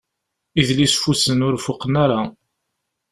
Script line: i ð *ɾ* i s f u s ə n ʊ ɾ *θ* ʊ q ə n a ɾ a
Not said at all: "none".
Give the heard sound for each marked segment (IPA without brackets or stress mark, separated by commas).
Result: l, f